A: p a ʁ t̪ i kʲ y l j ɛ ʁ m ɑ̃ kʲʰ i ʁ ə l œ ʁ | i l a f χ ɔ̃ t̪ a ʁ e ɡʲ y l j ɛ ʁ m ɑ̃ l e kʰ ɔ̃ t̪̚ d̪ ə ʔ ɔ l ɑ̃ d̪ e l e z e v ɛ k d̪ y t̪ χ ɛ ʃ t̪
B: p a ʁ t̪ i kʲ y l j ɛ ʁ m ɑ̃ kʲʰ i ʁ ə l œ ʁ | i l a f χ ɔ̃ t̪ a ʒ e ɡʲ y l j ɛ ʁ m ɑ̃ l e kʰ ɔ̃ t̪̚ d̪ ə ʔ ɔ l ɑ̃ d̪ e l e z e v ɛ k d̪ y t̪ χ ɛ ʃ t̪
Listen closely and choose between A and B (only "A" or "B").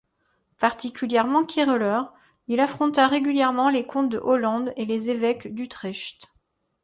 A